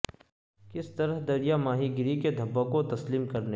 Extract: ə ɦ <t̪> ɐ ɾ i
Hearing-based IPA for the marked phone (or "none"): d̪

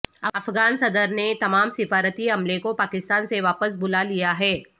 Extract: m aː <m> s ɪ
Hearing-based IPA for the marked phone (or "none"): m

